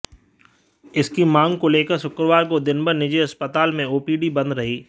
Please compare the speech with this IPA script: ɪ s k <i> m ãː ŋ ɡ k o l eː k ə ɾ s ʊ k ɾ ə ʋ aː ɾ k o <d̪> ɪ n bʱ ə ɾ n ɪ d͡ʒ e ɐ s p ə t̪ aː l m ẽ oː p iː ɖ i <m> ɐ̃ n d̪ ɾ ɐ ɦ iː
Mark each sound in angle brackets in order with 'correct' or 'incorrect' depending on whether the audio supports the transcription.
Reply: correct, correct, incorrect: b

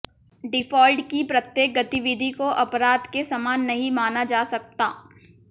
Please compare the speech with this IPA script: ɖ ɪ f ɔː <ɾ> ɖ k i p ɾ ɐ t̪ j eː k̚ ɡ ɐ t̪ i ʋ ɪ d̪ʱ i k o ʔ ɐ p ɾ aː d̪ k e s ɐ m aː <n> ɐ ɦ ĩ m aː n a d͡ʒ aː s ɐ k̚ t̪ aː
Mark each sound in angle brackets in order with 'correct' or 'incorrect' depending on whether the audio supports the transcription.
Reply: incorrect: l, incorrect: nː

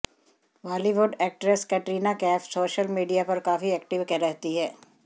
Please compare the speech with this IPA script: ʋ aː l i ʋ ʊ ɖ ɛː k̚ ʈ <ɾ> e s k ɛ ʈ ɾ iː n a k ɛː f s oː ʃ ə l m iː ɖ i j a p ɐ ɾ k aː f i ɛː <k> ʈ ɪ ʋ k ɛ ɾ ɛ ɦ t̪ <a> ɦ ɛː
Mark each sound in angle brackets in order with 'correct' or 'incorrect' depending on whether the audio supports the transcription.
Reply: correct, correct, incorrect: i

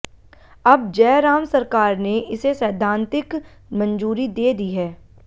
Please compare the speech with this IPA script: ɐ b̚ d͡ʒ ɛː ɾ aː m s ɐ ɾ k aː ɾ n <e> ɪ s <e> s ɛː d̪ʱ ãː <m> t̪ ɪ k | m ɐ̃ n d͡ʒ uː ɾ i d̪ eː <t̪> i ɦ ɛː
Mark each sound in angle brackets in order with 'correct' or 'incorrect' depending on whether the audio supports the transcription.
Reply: correct, correct, incorrect: n, incorrect: d̪

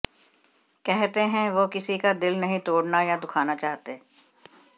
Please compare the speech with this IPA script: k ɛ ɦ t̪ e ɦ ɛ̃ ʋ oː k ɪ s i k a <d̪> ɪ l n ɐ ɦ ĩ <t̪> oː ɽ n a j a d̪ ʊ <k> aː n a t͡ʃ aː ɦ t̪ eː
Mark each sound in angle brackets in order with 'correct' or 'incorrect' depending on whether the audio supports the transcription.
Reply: correct, correct, incorrect: kʰ

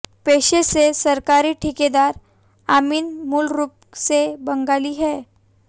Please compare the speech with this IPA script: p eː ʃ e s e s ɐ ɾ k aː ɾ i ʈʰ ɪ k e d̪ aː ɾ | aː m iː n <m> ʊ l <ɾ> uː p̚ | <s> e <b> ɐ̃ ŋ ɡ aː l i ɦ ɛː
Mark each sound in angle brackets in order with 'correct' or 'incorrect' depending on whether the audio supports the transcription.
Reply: correct, correct, correct, correct

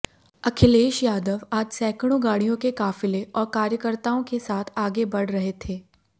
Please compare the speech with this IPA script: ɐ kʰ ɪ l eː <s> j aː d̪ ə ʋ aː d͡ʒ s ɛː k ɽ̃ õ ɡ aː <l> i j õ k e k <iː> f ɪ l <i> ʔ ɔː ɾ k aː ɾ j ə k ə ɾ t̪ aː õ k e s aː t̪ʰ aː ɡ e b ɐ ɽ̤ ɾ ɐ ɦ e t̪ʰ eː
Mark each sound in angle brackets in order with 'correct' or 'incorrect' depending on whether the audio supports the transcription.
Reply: incorrect: ʃ, incorrect: ɽ, incorrect: aː, incorrect: e

